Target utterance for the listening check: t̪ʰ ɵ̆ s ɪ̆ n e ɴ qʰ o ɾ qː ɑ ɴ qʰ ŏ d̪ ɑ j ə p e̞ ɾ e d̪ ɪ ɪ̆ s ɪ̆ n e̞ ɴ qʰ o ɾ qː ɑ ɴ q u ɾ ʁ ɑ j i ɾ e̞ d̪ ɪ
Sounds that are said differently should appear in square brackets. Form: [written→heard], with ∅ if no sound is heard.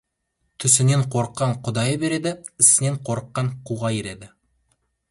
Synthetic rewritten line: t̪ʰ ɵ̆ s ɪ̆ n e ɴ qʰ o ɾ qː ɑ ɴ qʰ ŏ d̪ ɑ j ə [p→b] e̞ ɾ e d̪ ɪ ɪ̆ s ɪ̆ n e̞ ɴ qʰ o ɾ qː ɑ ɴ q u [ɾ→∅] ʁ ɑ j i ɾ e̞ d̪ ɪ